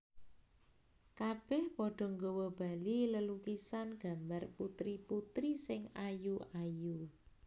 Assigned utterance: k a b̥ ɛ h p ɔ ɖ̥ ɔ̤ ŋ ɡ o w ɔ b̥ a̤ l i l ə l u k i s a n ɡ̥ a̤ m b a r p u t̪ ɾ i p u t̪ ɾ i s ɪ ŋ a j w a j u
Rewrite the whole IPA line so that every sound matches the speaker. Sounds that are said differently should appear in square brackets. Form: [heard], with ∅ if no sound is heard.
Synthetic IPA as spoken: k a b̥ ɛ h p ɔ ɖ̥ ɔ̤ ŋ ɡ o w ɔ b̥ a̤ l i l ə l u k i s a n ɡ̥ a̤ m b a r p u t̪ ɾ i p u t̪ ɾ i s ɪ ŋ a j [u] a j u

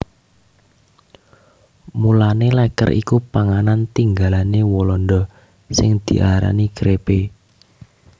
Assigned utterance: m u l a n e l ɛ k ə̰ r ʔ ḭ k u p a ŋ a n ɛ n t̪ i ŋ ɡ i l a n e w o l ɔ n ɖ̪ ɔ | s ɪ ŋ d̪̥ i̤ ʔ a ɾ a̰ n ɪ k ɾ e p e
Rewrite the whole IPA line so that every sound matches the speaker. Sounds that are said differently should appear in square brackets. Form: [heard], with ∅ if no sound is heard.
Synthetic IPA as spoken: m u l a n e l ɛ k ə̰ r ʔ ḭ k u p a ŋ a n [a] n t̪ i ŋ ɡ [a] l a n e w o l ɔ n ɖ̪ ɔ | s ɪ ŋ d̪̥ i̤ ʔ a ɾ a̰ n [i] k ɾ e p e

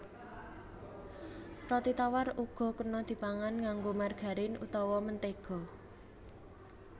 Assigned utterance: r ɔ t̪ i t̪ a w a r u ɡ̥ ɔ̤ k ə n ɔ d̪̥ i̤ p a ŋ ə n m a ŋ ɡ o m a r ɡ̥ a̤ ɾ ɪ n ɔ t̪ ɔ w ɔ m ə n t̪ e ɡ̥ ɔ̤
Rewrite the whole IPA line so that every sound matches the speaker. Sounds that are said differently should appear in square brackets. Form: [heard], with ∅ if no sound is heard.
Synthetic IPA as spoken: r ɔ t̪ i t̪ a w a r u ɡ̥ ɔ̤ k ə n ɔ d̪̥ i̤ p a ŋ [a] n [ŋ] a ŋ ɡ o m a r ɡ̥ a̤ ɾ ɪ n [u] t̪ ɔ w ɔ m ə n t̪ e ɡ̥ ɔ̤

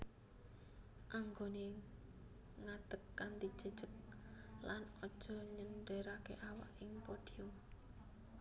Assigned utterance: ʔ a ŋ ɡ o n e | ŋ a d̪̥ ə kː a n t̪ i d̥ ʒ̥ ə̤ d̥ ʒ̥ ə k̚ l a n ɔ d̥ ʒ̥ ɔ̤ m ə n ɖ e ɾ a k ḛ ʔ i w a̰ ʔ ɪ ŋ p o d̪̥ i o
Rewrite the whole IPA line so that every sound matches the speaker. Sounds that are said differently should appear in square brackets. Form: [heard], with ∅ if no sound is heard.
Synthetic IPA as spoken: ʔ a ŋ ɡ o n e | ŋ a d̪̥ ə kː a n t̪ i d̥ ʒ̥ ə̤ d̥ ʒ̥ ə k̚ l a n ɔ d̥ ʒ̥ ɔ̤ [ɲ] ə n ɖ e ɾ a k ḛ ʔ [a] w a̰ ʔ ɪ ŋ p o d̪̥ i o

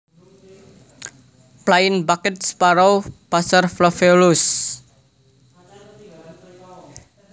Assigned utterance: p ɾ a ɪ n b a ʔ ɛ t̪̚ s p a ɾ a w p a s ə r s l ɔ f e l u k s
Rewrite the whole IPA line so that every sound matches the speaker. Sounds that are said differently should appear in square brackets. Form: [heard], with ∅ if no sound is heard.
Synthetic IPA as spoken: p [l] a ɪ n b a [k] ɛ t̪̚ s p a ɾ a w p a s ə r [f] l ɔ f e l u [∅] s

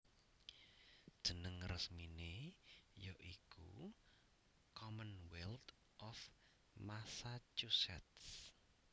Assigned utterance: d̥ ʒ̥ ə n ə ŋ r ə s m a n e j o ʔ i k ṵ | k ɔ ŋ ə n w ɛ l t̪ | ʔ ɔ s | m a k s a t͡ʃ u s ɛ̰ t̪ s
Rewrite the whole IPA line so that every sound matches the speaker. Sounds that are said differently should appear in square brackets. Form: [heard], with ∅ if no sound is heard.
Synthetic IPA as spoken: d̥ ʒ̥ ə n ə ŋ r ə s m [i] n e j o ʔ i k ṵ | k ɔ [m] ə n w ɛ l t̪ | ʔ ɔ [f] | m a [∅] s a t͡ʃ u s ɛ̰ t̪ s

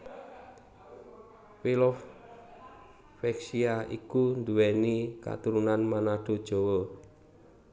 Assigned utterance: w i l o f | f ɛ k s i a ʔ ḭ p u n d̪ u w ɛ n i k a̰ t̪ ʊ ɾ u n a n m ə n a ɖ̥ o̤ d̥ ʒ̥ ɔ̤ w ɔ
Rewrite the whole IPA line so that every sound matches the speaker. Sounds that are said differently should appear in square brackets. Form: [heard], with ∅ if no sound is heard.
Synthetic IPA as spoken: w i l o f | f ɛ k s i a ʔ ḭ [k] u n d̪ u w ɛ n i k a̰ t̪ [u] ɾ u n a n m [a] n a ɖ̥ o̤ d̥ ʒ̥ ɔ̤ w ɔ

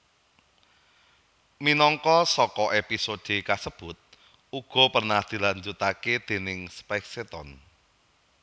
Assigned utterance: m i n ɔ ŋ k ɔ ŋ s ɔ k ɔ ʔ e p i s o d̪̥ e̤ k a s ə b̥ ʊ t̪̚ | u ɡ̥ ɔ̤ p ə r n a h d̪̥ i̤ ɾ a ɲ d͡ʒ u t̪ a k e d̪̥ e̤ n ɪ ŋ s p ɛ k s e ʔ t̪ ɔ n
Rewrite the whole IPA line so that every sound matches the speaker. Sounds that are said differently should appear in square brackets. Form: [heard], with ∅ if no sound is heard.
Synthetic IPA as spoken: m i n ɔ ŋ k ɔ [∅] s ɔ k ɔ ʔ e p i s o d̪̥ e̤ k a s ə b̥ ʊ t̪̚ | u ɡ̥ ɔ̤ p ə r n a h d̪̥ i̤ [l] a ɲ d͡ʒ u t̪ a k e d̪̥ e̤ n ɪ ŋ s p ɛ k s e [∅] t̪ ɔ n

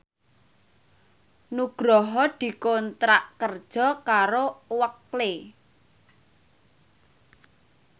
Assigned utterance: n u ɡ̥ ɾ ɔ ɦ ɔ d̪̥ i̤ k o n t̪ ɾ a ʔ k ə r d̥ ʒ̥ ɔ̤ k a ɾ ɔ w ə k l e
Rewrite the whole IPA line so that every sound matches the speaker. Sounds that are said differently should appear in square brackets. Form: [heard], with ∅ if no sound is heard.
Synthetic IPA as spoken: n u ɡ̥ ɾ ɔ ɦ ɔ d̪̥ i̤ k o n t̪ ɾ a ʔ k ə r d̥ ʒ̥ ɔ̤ k a ɾ [o] w ə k l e

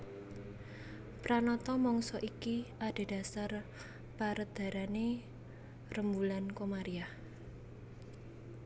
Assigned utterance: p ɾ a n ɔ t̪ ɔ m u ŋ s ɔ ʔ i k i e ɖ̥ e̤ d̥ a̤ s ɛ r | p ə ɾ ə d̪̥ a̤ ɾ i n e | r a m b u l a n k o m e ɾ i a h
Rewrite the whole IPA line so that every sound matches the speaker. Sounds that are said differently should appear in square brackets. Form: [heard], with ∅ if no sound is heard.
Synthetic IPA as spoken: p ɾ a n ɔ t̪ ɔ m [ɔ] ŋ s ɔ ʔ i k i [a] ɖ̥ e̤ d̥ a̤ s [a] r | p [a] ɾ ə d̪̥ a̤ ɾ [a] n e | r [ə] m b u l a n k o m [a] ɾ i a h

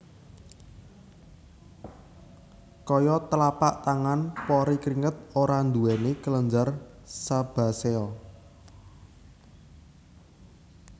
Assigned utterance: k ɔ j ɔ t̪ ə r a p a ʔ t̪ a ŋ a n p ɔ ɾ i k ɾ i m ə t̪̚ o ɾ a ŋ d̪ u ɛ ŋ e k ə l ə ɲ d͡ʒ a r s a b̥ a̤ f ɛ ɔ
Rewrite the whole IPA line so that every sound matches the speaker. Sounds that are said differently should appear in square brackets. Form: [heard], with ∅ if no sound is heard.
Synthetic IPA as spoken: k ɔ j ɔ t̪ ə [l] a p a ʔ t̪ a ŋ a n p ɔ ɾ i k ɾ i [ŋ] ə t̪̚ o ɾ a [n] d̪ u ɛ [n] e k ə l ə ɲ d͡ʒ a r s a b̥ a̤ [s] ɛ ɔ

